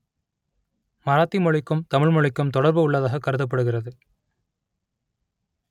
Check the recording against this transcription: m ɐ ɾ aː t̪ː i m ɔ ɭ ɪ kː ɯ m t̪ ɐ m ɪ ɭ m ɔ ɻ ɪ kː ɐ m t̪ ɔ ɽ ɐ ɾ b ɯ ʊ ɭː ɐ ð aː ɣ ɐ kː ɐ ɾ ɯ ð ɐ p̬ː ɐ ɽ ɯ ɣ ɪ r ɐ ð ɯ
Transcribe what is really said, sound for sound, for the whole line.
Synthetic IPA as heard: m ɐ ɾ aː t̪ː i m ɔ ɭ ɪ kː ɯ m t̪ ɐ m ɪ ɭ m ɔ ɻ ɪ kː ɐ m t̪ ɔ ɽ ɐ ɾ b ɯ ʊ ɭː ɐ ð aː ɣ ɐ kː ɐ ɾ ɯ ð ɐ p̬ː ɐ ɽ ɯ ɣ ɪ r ɐ ð ɯ